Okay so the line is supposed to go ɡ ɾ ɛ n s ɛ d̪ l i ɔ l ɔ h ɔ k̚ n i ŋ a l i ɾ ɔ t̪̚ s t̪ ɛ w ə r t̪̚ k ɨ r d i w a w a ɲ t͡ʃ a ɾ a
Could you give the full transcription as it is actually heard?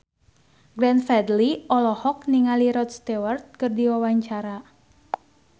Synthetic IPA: ɡ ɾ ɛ n f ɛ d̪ l i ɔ l ɔ h ɔ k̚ n i ŋ a l i ɾ ɔ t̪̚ s t̪ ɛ w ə r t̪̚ k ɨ r d i w a w a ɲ t͡ʃ a ɾ a